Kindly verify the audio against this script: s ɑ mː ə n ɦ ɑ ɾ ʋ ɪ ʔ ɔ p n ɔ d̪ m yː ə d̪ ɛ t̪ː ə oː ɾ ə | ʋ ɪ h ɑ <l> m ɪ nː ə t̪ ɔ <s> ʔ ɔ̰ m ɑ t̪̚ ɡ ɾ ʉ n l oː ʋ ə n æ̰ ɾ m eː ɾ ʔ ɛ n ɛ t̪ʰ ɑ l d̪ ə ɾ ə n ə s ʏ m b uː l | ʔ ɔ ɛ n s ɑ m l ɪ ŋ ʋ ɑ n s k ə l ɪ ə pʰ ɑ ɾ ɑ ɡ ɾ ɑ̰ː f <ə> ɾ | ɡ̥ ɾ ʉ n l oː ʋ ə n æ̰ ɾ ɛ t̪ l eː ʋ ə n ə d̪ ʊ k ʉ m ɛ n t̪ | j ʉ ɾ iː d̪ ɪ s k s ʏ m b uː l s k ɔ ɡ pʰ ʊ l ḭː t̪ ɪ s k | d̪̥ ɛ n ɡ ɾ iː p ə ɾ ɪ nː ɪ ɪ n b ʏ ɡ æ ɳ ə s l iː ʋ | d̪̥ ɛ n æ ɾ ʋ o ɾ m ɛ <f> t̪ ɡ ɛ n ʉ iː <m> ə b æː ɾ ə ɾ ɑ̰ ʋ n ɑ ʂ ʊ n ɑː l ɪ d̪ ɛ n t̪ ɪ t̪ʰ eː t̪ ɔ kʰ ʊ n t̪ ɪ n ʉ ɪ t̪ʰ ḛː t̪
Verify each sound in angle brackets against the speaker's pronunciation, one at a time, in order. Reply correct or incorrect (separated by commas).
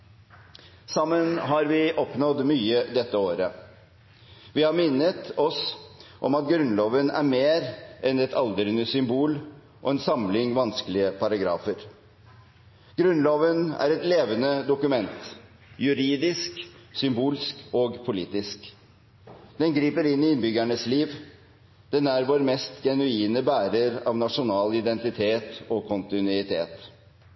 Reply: incorrect, correct, correct, incorrect, incorrect